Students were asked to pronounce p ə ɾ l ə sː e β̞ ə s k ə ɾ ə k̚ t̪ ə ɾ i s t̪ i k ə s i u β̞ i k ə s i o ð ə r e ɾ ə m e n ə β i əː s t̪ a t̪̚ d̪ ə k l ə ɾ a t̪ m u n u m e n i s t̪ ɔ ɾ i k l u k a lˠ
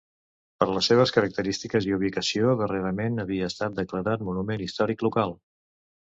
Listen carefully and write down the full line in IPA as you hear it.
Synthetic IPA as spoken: p ə ɾ l ə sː e β̞ ə s k ə ɾ ə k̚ t̪ ə ɾ i s t̪ i k ə z i u β̞ i k ə s i o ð ə r e ɾ ə m e n ə β i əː s t̪ a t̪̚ d̪ ə k l ə ɾ a t̪ m u n u m e n i s t̪ ɔ ɾ i k l u k a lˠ